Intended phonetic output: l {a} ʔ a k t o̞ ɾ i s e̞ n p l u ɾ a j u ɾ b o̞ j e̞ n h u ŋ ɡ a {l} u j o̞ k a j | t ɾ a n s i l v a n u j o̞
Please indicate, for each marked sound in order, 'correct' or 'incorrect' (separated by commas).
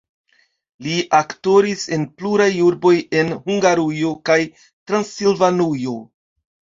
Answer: incorrect, incorrect